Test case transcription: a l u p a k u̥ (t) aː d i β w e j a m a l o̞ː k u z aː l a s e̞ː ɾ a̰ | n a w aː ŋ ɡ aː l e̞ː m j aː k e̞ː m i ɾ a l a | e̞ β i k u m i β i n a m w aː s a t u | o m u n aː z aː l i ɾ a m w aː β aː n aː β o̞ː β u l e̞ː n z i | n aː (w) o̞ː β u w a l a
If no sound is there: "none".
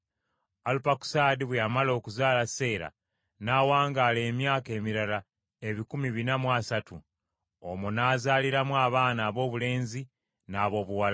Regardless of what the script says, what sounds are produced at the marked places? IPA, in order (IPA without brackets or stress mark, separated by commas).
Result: s, β